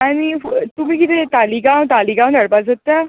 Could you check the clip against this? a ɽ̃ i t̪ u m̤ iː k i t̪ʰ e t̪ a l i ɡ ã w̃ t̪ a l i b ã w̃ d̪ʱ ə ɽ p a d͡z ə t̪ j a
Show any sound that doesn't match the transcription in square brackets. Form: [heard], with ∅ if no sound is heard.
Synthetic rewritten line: a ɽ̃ i t̪ u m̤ iː k i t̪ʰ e t̪ a l i ɡ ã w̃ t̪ a l i [ɡ] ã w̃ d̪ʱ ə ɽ p a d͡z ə t̪ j a